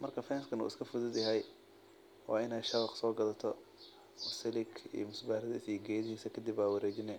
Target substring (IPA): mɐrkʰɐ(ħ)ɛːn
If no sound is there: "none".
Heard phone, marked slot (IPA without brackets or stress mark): f